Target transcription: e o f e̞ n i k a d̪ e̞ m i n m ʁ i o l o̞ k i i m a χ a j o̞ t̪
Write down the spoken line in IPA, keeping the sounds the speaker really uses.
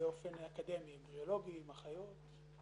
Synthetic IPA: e o f e̞ n a k a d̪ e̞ m i m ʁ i o l o̞ ɡ i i m a χ a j o̞ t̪